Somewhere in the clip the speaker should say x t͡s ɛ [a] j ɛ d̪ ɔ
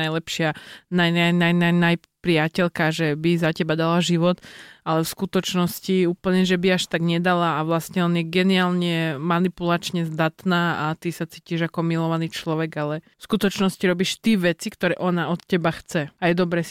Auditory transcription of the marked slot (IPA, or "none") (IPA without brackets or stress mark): a